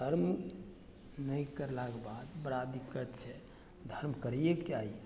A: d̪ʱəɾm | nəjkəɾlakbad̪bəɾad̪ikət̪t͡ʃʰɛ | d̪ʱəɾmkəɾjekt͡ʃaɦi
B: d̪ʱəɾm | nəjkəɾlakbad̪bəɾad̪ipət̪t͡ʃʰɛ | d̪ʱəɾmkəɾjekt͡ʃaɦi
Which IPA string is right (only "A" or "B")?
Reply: A